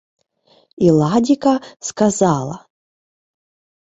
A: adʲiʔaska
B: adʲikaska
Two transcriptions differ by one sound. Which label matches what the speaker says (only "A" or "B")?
B